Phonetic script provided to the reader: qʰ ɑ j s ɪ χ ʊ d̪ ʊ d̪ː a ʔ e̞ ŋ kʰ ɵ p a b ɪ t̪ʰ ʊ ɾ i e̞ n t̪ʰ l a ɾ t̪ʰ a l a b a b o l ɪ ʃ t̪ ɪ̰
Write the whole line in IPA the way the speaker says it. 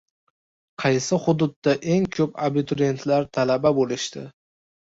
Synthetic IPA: qʰ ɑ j s ɪ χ ʊ d̪ ʊ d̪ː a ʔ e̞ ŋ kʰ ɵ p a b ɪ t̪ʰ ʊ ɾ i e̞ n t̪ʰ l a ɾ t̪ʰ a l a b a b o l ɪ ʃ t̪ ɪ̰